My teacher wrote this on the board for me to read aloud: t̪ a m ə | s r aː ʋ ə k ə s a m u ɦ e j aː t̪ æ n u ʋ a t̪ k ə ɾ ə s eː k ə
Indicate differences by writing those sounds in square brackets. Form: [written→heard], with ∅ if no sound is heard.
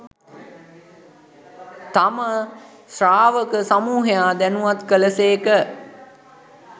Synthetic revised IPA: t̪ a m ə | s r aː ʋ ə k ə s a m [u→uː] ɦ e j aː [t̪→d̪] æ n u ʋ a t̪ k ə [ɾ→l] ə s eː k ə

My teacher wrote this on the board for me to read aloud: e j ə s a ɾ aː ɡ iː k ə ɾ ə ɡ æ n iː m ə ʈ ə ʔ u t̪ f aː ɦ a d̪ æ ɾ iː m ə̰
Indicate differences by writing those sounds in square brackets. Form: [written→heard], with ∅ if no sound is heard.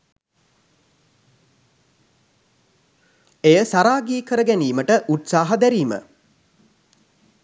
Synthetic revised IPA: e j ə s a ɾ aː ɡ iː k ə ɾ ə ɡ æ n iː m ə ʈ ə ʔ u t̪ [f→s] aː ɦ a d̪ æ ɾ iː m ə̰

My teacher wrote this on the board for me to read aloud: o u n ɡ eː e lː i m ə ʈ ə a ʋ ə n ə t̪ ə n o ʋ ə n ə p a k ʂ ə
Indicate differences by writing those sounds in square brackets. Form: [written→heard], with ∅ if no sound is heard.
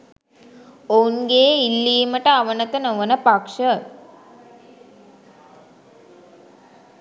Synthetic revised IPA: o u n ɡ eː [e→i] lː [i→iː] m ə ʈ ə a ʋ ə n ə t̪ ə n o ʋ ə n ə p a k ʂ ə

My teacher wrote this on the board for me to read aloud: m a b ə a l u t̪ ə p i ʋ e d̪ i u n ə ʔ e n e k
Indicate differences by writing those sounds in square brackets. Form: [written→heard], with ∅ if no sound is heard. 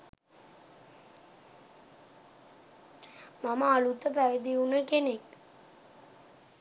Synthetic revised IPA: m a [b→m] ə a l u t̪ ə p [i→æ] ʋ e d̪ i u n ə [ʔ→k] e n e k

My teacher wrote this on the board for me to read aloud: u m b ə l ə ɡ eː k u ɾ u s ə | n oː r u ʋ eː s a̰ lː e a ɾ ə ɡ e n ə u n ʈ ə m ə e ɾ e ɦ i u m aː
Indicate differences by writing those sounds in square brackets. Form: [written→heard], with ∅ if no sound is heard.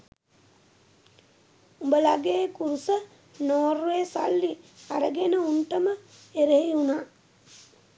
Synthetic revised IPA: u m b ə l [ə→a] ɡ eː k u ɾ u s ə | n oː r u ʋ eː s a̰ lː [e→i] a ɾ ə ɡ e n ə u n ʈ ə m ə e ɾ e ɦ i u [m→n] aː

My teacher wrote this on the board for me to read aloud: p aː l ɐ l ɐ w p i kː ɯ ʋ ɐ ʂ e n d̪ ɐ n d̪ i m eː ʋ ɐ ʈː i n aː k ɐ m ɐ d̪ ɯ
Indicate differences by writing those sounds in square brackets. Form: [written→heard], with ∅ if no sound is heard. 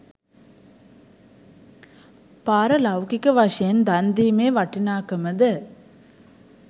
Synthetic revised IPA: p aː [l→ɾ] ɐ l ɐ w [p→k] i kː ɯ ʋ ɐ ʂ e n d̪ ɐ n d̪ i m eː ʋ ɐ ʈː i n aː k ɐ m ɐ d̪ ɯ

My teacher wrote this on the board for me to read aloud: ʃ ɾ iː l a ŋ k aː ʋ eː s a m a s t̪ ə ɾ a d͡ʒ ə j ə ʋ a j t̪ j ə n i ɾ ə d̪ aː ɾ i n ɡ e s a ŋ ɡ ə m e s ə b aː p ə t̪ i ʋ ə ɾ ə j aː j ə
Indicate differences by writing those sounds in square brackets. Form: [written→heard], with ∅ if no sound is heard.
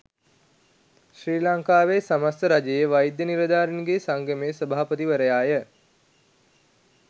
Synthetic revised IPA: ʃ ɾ iː l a ŋ k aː ʋ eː s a m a s t̪ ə ɾ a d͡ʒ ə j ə ʋ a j [t̪→d̪] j ə n i ɾ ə d̪ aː ɾ i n ɡ e s a ŋ ɡ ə m e s ə b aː p ə t̪ i ʋ ə ɾ ə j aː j ə

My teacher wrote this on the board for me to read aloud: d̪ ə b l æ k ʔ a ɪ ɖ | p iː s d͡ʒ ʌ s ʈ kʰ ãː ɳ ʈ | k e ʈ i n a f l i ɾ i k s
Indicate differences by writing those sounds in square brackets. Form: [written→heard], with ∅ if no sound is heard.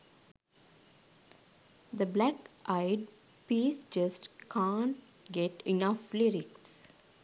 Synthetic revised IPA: d̪ ə b l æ k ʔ a ɪ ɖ | p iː s d͡ʒ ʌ s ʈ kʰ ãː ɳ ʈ | [k→ɡ] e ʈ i n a f l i ɾ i k s

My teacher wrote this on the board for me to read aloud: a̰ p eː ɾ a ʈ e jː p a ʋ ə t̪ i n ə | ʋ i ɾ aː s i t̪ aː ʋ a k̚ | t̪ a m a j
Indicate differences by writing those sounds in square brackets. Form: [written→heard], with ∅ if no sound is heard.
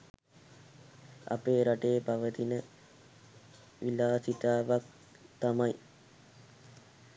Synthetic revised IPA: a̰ p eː ɾ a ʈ e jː p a ʋ ə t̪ i n ə | ʋ i [ɾ→l] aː s i t̪ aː ʋ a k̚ | t̪ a m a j

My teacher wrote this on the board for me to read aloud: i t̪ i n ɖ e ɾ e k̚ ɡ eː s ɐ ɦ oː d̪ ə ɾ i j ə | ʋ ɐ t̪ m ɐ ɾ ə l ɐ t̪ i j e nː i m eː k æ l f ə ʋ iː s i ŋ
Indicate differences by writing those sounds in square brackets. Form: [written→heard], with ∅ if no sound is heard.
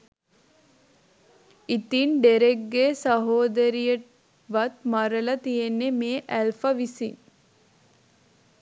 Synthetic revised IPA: i t̪ i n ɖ e ɾ e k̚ ɡ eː s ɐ ɦ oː d̪ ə ɾ i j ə | ʋ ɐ t̪ m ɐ ɾ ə l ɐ t̪ i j e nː [i→e] m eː [k→ʔ] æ l f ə ʋ [iː→i] s i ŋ

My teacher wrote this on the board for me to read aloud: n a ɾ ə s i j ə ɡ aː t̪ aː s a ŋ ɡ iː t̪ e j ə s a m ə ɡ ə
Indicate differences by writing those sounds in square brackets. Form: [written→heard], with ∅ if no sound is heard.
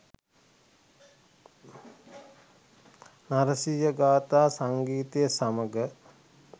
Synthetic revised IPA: n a ɾ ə s i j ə ɡ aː t̪ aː s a ŋ ɡ iː t̪ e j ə s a m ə ɡ ə

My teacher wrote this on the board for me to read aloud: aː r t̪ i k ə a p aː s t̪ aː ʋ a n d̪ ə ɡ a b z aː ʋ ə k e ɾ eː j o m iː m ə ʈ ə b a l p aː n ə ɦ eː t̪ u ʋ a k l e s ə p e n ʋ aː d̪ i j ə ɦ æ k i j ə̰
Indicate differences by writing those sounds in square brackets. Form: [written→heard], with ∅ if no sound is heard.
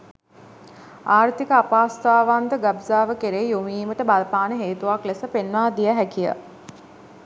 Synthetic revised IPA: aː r t̪ i k ə a p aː s t̪ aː ʋ a n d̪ ə ɡ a b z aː ʋ ə k e ɾ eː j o m iː m ə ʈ ə b a l p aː n ə ɦ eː t̪ u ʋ a k l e s ə p e n ʋ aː d̪ i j ə ɦ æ k i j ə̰

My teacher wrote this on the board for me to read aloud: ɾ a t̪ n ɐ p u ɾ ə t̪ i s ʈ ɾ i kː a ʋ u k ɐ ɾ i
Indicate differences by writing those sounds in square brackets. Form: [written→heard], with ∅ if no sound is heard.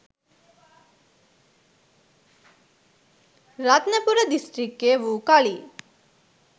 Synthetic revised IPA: ɾ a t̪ n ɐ p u ɾ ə [t̪→d̪] i s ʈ ɾ i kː [a→e] ʋ u k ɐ [ɾ→ɭ] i

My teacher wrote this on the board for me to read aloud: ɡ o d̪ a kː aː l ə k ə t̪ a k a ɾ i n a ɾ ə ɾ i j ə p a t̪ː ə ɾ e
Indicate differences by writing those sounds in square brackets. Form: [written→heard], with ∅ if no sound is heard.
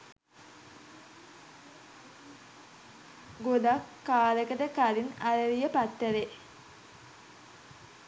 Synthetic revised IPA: ɡ o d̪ a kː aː l ə k ə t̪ [a→ə] k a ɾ i n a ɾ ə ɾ i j ə p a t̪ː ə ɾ e

